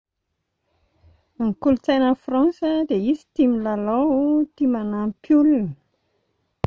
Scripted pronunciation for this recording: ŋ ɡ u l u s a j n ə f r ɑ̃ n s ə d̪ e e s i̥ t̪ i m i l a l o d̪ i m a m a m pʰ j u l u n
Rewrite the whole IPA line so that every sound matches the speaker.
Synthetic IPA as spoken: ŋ k u l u t͡s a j n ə f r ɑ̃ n s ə d̪ e i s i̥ t̪ i m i l a l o t̪ i m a n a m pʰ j u l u n

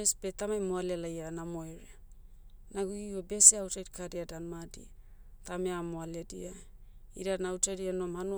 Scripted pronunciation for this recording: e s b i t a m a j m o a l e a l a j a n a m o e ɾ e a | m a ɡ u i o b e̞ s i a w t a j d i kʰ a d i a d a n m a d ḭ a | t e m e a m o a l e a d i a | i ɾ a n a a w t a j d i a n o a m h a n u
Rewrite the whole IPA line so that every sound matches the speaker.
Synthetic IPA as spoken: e s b e t a m a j m o a l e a l a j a n a m o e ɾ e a | n a ɡ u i o b e̞ s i a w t a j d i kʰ a d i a d a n m a d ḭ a | t a m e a m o a l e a d i a | i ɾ a n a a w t a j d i a n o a m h a n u

